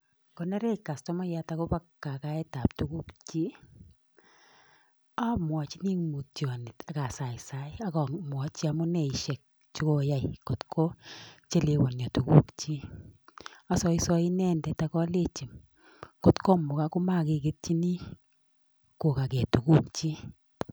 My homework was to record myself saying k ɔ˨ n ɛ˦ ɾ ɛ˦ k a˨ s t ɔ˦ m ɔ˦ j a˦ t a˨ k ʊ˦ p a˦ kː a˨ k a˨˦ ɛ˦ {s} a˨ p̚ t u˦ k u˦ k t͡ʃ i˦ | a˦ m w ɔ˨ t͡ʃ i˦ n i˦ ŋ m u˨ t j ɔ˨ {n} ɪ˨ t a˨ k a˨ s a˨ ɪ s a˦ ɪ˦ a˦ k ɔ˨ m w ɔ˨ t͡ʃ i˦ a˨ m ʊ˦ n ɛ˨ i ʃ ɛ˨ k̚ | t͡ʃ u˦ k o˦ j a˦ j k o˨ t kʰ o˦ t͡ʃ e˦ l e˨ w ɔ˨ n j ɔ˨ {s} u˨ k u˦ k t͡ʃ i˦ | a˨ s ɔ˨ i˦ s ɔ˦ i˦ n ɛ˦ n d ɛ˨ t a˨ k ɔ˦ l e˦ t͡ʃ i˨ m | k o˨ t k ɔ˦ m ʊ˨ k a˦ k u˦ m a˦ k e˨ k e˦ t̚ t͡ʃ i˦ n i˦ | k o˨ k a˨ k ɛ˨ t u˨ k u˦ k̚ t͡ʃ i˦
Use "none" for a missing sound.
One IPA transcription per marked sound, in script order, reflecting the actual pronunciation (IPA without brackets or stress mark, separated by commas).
t, n, t